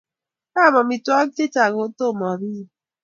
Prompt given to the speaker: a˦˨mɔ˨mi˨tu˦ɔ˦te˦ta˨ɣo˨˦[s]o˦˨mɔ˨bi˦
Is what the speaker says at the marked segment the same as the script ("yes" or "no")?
no